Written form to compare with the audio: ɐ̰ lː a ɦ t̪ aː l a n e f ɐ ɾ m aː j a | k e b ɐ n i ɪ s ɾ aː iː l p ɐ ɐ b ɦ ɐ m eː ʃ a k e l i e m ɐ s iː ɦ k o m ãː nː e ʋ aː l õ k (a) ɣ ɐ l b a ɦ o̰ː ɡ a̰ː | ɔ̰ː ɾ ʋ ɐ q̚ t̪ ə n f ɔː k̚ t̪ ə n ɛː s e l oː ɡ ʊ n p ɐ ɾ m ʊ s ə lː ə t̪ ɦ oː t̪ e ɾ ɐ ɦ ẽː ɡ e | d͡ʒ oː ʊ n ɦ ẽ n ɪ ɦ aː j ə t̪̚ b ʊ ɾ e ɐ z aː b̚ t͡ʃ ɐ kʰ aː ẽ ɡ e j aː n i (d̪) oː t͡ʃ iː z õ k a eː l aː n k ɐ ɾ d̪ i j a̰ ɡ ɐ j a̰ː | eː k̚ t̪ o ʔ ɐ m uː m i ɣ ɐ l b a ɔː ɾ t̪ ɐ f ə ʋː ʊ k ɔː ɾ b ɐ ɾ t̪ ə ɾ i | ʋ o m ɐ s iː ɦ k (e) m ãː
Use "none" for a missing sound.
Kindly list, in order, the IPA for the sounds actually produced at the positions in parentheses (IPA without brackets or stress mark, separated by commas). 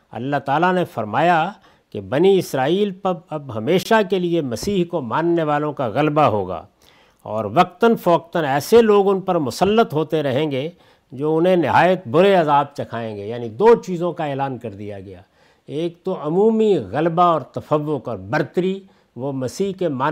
a, d̪, e